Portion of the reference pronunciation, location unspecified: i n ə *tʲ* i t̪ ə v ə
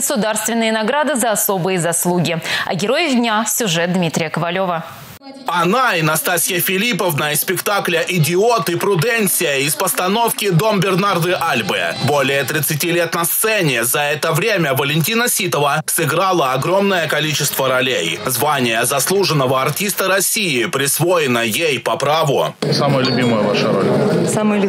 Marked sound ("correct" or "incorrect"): incorrect